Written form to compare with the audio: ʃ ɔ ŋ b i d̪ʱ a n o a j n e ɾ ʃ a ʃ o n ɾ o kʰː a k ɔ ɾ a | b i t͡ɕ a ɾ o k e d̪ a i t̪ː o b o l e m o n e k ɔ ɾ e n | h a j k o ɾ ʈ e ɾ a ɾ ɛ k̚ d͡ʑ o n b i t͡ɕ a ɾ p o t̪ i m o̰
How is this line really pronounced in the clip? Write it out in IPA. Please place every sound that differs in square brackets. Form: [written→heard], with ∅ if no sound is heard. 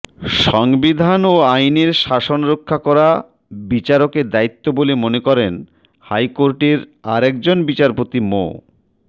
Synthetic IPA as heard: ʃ ɔ ŋ b i d̪ʱ a n o a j n e ɾ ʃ a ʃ o n ɾ o kʰː a k ɔ ɾ a | b i t͡ɕ a ɾ o k e d̪ a i t̪ː o b o l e m o n e k ɔ ɾ e n | h a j k o ɾ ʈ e ɾ a ɾ ɛ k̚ d͡ʑ o n b i t͡ɕ a ɾ p o t̪ i m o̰